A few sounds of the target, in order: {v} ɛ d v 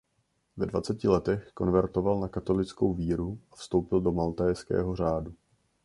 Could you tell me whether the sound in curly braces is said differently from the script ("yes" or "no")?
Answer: no